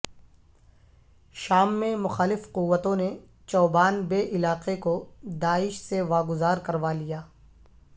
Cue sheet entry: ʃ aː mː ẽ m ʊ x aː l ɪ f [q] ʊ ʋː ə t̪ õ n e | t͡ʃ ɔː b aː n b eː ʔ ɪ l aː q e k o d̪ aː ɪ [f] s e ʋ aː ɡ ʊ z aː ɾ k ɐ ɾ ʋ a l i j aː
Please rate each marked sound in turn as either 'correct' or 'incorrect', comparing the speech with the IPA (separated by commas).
correct, incorrect